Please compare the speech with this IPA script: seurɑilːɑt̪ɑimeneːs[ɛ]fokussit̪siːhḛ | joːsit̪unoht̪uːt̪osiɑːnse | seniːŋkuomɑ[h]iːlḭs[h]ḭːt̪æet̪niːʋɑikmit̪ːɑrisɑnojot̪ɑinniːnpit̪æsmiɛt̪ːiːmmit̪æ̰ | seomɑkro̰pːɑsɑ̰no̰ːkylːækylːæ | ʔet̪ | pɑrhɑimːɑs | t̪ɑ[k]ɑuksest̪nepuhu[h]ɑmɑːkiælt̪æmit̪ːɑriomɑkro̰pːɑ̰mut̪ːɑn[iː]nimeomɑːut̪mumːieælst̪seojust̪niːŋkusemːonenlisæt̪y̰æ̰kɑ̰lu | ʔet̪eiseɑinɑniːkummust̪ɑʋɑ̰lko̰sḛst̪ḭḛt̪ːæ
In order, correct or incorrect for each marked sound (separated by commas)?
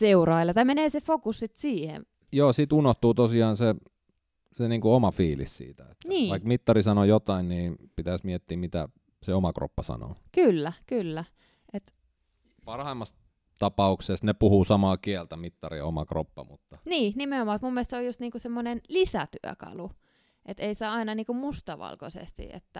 incorrect, incorrect, incorrect, incorrect, incorrect, correct